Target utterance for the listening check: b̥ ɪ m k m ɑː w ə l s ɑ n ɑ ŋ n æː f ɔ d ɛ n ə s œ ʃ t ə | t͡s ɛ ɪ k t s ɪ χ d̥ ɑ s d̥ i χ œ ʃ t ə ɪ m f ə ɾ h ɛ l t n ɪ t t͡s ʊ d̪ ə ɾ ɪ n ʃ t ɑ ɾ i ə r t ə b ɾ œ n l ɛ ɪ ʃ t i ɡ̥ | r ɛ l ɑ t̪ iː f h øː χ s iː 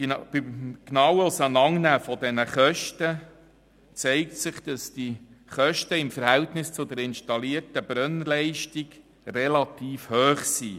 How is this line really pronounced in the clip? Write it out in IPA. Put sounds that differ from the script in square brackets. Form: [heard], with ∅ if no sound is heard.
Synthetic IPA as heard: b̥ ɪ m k [n] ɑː w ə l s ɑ n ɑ ŋ n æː f ɔ d ɛ n ə [χ] œ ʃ t ə | t͡s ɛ ɪ k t s ɪ χ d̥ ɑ s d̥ i χ œ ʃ t ə ɪ m f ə ɾ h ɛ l t n ɪ [s] t͡s ʊ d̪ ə ɾ ɪ n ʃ t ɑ [l] i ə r t ə b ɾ œ n l ɛ ɪ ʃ t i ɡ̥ | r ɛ l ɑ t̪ iː f h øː χ s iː